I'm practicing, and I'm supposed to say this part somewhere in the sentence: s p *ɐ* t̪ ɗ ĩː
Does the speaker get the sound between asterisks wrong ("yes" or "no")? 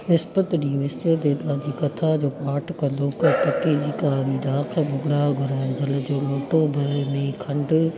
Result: yes